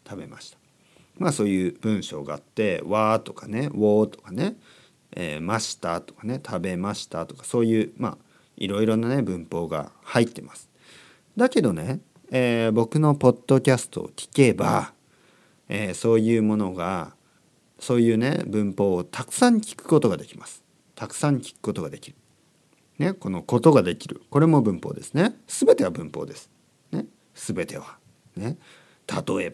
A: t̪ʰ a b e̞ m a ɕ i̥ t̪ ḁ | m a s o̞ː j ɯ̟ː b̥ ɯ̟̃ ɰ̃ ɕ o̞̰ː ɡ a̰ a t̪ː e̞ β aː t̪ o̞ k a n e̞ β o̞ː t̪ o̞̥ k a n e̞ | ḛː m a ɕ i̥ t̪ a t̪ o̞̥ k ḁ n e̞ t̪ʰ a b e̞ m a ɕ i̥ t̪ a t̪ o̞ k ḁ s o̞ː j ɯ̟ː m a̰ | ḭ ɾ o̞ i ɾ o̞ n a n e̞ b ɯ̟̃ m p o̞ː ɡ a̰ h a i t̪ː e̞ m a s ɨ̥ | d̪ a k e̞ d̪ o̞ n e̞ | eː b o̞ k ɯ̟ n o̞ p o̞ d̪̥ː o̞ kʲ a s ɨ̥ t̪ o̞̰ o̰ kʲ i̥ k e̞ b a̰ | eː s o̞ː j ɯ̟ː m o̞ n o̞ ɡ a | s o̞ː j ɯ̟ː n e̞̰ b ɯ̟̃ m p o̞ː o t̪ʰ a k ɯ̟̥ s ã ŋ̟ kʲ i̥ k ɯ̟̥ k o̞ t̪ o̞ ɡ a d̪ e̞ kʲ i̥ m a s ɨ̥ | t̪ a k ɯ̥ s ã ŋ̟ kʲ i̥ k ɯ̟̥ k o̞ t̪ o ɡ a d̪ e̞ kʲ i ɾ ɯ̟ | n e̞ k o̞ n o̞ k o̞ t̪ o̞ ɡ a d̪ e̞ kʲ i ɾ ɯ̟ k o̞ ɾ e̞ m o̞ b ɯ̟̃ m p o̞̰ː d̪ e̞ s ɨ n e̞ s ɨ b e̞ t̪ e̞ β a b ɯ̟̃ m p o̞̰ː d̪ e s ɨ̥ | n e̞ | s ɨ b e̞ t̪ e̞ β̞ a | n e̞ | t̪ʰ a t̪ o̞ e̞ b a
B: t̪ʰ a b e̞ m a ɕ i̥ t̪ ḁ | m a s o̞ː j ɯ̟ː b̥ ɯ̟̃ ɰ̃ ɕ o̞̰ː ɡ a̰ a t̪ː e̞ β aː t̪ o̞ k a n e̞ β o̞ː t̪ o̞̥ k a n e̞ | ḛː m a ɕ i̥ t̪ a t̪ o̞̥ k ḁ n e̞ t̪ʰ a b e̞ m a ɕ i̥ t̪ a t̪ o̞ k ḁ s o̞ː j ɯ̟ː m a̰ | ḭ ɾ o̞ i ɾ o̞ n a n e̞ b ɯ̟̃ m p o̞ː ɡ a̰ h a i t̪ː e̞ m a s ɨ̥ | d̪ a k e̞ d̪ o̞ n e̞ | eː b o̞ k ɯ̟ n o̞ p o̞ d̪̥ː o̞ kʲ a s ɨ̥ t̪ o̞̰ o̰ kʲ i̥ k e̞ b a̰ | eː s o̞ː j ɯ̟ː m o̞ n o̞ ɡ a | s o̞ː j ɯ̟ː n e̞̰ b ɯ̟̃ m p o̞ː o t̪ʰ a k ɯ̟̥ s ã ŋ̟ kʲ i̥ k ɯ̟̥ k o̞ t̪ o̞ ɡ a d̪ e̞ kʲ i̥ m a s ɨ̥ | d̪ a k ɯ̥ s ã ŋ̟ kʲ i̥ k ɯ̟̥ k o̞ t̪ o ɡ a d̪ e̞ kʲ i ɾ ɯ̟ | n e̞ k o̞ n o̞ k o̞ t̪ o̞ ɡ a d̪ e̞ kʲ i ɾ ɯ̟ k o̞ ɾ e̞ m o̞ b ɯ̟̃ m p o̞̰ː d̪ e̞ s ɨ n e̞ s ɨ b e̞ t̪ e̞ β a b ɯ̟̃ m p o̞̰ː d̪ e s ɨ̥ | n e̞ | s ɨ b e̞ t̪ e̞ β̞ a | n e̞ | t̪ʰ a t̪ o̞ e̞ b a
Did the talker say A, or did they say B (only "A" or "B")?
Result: A